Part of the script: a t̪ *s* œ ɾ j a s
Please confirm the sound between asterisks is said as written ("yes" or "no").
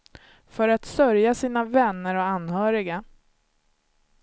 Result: yes